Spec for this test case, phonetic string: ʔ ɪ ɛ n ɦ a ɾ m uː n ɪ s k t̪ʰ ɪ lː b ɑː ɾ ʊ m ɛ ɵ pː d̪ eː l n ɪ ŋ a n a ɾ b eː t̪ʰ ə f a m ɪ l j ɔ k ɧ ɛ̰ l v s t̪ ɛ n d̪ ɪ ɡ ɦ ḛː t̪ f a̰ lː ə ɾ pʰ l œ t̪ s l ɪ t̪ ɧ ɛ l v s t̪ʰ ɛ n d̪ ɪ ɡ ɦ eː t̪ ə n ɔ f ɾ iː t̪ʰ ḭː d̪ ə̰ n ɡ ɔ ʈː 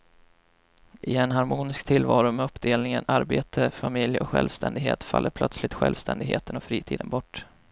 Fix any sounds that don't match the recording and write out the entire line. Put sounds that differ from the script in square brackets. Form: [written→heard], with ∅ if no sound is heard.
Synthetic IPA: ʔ ɪ ɛ n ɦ a ɾ m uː n ɪ s k t̪ʰ ɪ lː [b→v] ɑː ɾ ʊ m ɛ ɵ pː d̪ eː l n ɪ ŋ [a→ə] n a ɾ b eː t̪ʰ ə f a m ɪ l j ɔ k ɧ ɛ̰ l v s t̪ ɛ n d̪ ɪ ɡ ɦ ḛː t̪ f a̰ lː ə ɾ pʰ l œ t̪ s l ɪ t̪ ɧ ɛ l v s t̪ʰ ɛ n d̪ ɪ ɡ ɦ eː t̪ ə n ɔ f ɾ iː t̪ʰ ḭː d̪ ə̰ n [ɡ→b] ɔ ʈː